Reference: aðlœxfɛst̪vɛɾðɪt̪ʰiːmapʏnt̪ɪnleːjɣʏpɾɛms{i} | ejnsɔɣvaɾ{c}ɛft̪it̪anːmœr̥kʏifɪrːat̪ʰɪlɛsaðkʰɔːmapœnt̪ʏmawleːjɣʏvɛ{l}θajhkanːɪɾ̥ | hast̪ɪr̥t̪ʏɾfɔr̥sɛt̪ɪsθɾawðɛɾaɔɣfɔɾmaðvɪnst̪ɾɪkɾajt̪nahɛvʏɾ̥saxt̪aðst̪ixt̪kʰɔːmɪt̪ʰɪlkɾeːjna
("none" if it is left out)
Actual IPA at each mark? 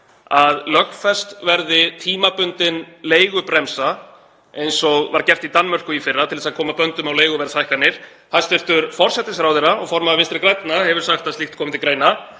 a, c, ɾ

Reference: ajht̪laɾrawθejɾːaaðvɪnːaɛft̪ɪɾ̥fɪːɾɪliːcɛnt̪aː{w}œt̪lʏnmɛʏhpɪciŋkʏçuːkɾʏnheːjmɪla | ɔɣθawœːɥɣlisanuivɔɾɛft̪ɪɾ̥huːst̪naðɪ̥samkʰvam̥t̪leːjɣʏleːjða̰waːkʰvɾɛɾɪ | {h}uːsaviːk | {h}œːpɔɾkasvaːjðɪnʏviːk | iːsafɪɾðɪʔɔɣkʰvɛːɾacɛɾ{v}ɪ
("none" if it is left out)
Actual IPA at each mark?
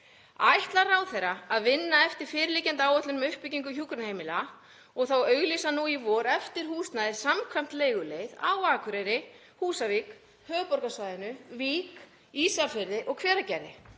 w, h, h, ð

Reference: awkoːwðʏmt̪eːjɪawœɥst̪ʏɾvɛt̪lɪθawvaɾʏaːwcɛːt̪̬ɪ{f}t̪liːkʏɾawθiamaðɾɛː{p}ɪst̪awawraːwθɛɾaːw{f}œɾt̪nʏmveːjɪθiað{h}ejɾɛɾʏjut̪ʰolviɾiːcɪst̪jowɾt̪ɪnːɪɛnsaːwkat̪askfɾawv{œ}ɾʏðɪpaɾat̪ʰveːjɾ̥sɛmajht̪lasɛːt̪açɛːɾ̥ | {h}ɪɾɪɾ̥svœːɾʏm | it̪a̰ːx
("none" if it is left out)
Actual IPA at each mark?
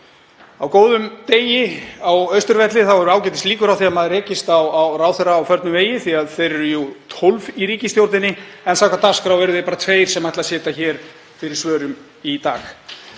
s, c, f, θ, ɛ, f

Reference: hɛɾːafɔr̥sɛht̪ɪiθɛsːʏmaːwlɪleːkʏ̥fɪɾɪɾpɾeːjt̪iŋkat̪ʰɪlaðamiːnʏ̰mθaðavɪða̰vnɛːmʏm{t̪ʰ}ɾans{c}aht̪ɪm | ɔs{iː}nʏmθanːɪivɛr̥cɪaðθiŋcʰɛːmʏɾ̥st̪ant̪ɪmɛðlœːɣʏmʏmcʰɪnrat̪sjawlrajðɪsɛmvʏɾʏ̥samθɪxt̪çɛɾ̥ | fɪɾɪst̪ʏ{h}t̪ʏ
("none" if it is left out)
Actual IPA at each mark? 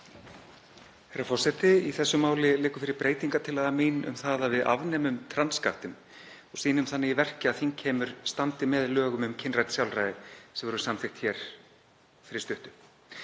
t̪ʰ, k, iː, h

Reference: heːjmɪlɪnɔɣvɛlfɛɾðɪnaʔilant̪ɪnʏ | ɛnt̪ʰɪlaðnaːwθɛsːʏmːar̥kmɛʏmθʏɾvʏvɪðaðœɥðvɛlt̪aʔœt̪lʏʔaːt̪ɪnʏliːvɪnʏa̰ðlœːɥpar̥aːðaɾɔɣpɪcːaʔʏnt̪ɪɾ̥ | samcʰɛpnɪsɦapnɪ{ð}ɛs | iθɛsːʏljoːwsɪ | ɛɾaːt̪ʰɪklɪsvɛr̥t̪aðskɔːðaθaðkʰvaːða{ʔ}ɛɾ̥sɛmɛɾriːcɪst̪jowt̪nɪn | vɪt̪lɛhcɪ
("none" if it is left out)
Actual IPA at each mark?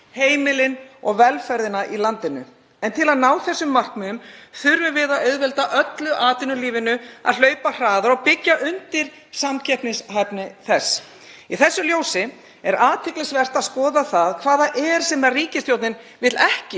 θ, ʔ

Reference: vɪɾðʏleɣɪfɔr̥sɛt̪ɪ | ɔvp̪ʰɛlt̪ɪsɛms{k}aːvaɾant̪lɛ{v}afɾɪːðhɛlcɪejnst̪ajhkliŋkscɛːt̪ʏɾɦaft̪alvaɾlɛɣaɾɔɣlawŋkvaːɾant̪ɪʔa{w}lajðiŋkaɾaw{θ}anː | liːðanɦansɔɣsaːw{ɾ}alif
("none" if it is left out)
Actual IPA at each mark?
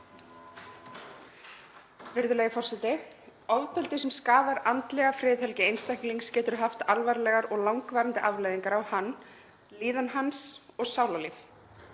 k, ɣ, v, h, l

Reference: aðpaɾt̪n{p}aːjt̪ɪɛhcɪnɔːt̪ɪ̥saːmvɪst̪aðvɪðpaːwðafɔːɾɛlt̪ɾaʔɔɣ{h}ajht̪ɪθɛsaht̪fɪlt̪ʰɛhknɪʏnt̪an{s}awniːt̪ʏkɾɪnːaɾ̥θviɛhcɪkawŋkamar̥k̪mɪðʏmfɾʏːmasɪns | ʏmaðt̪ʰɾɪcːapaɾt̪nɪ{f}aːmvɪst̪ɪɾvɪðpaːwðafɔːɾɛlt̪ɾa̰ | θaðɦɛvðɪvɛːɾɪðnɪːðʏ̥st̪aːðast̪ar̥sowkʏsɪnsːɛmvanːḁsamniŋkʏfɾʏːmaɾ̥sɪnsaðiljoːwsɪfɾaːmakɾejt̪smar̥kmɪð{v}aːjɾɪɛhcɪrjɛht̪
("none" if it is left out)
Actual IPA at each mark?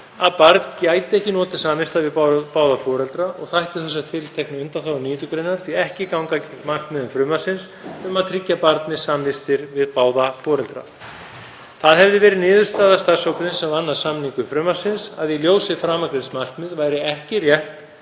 c, θ, θ, s, v

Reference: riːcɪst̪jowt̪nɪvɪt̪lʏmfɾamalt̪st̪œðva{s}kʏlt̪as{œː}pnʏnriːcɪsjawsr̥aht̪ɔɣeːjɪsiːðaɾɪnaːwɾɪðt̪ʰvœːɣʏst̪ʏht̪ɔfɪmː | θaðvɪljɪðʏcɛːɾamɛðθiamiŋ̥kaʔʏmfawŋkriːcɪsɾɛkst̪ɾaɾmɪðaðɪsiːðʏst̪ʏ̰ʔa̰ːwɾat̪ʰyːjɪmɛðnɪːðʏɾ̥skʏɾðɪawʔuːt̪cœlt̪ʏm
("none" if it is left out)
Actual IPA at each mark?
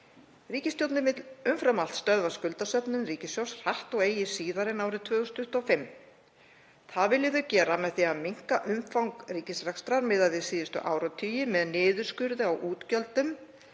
s, œ

